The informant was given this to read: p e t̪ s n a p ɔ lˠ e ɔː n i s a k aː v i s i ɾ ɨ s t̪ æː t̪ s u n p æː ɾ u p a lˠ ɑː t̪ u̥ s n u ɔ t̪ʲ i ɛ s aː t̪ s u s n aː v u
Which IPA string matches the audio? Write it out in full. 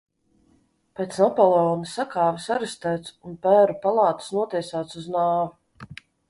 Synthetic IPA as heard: p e t̪ s n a p ɔ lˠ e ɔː n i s a k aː v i s a ɾ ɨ s t̪ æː t̪ s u n p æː ɾ u p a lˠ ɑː t̪ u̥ s n u ɔ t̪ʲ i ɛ s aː t̪ s u z n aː v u